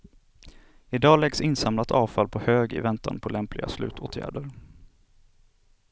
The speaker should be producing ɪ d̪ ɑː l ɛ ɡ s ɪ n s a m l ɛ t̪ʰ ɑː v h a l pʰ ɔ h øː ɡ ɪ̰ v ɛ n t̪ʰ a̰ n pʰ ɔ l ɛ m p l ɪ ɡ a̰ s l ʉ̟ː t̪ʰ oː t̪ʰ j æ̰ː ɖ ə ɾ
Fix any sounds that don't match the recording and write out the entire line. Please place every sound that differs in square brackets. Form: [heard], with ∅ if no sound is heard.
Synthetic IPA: ɪ d̪ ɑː l ɛ ɡ s ɪ n s a m l [a] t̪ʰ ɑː v [f] a l pʰ ɔ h øː ɡ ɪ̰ v ɛ n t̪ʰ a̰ n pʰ ɔ l ɛ m p l ɪ ɡ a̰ s l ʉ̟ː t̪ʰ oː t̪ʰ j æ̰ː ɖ ə ɾ